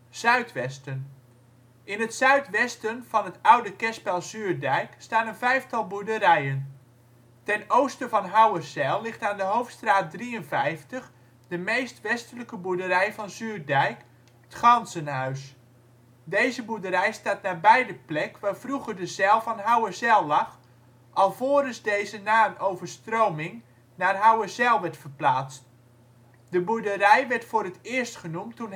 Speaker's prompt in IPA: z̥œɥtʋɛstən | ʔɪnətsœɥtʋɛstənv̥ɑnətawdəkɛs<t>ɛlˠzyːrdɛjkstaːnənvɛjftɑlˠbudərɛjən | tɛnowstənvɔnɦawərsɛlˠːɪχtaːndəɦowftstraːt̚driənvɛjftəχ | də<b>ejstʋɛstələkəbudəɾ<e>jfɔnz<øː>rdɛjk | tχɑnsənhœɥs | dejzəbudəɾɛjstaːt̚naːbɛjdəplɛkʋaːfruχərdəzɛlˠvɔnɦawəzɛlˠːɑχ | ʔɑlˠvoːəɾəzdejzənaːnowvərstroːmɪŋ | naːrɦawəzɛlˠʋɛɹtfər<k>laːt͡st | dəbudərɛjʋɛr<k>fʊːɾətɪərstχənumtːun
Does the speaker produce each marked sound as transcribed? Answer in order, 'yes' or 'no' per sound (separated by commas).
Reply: no, no, no, no, no, no